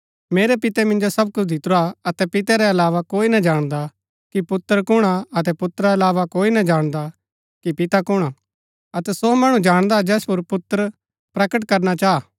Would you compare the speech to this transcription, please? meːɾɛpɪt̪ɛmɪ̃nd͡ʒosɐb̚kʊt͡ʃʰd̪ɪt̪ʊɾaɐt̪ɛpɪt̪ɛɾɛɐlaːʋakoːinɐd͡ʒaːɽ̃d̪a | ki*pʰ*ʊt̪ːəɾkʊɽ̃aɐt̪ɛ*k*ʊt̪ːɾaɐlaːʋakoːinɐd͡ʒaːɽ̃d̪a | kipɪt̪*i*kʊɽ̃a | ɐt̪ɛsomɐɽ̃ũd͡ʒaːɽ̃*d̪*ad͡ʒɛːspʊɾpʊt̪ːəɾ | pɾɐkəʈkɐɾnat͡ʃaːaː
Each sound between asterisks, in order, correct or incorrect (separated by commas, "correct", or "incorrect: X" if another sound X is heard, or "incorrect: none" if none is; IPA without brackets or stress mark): incorrect: p, incorrect: p, incorrect: a, correct